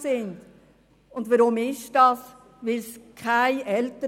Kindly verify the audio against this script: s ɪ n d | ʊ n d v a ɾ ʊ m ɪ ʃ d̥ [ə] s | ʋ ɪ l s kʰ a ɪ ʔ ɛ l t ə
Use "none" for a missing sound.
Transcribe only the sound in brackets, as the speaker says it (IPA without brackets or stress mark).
ɑ